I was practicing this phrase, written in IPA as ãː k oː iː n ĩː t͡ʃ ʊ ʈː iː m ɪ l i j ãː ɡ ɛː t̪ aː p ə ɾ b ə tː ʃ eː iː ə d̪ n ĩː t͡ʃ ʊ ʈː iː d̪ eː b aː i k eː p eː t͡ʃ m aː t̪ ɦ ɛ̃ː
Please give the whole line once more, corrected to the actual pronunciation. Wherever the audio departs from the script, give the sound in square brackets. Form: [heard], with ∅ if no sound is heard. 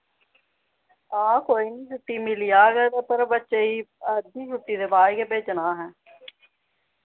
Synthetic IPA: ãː k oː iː n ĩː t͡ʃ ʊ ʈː iː m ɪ l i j [aː] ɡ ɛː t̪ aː p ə ɾ b ə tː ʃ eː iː ə d̪ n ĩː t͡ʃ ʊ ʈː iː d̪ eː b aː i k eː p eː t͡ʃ [n] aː [∅] ɦ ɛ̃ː